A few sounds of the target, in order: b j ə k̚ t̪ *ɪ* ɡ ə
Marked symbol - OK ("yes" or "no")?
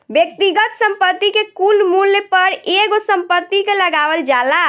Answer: no